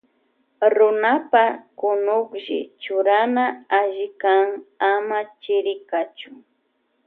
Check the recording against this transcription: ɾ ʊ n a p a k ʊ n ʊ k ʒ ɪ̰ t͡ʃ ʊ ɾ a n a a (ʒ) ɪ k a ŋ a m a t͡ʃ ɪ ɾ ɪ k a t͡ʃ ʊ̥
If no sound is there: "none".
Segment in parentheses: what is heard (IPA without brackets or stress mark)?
ʒ